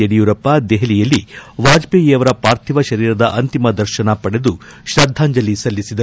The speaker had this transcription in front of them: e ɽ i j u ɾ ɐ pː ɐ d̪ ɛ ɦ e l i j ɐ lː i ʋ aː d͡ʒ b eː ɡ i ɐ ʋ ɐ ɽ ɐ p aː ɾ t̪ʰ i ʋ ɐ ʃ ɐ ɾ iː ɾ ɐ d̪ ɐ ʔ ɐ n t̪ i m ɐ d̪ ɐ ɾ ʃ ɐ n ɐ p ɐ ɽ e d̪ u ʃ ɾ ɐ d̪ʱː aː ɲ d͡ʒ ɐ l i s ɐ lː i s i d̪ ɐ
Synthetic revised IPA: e ɽ i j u ɾ ɐ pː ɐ d̪ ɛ ɦ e l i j ɐ lː i ʋ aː d͡ʒ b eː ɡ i ɐ ʋ ɐ ɾ ɐ p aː ɾ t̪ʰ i ʋ ɐ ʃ ɐ ɾ iː ɾ ɐ d̪ ɐ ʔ ɐ n t̪ i m ɐ d̪ ɐ ɾ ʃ ɐ n ɐ p ɐ ɽ e d̪ u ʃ ɾ ɐ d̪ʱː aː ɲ d͡ʒ ɐ l i s ɐ lː i s i d̪ ɐ

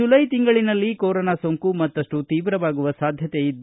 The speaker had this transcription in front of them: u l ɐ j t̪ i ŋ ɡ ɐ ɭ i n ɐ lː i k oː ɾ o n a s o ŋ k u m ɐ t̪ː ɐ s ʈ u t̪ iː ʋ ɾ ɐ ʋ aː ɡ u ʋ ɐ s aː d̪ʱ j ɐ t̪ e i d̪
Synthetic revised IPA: u l ɐ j t̪ i ŋ ɡ ɐ ɭ i n ɐ lː i k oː ɾ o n a s o ŋ k u m ɐ t̪ː ɐ ʂ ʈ u t̪ iː ʋ ɾ ɐ ʋ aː ɡ u ʋ ɐ s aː d̪ʱ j ɐ t̪ e i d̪

